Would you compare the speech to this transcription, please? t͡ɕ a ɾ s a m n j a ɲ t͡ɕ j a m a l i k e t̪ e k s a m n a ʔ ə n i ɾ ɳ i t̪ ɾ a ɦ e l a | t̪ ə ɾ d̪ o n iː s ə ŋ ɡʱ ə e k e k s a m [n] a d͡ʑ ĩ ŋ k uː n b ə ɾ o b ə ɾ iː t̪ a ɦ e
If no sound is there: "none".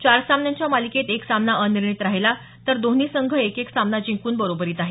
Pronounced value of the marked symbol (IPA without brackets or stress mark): n